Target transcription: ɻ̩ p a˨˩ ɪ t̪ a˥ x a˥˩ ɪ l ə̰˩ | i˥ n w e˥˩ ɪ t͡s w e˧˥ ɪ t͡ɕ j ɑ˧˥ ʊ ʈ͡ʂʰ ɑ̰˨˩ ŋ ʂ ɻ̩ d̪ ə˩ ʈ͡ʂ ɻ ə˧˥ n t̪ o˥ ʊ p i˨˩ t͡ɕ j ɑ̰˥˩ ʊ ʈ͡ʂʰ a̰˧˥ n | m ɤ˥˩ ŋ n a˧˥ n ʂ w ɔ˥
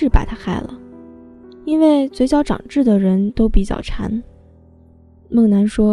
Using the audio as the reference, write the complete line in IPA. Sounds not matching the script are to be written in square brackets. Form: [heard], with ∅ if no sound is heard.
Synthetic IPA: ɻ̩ p a˨˩ ɪ [t̪ʰ] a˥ x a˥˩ ɪ l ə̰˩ | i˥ n w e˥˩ ɪ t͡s w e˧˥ ɪ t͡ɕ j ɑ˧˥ ʊ [ʈ͡ʂ] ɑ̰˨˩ ŋ [ʈ͡ʂ] ɻ̩ d̪ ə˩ [∅] ɻ ə˧˥ n t̪ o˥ ʊ p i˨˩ t͡ɕ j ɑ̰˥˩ ʊ ʈ͡ʂʰ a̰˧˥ n | m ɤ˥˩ ŋ n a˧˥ n ʂ w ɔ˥